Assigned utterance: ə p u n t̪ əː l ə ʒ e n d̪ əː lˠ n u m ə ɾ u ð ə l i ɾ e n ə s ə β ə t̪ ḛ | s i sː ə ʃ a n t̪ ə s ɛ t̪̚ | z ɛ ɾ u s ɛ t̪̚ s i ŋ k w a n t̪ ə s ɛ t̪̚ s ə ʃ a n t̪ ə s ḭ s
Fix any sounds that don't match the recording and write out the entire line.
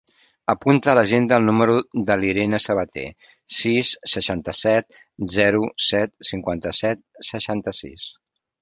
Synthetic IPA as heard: ə p u n t̪ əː l ə ʒ e n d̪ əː lˠ n u m ə ɾ u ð ə l i ɾ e n ə s ə β ə t̪ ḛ | s i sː ə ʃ a n t̪ ə s ɛ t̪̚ | z ɛ ɾ u s ɛ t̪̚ s i ŋ k w a n t̪ ə s ɛ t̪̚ s ə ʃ a n t̪ ə s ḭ s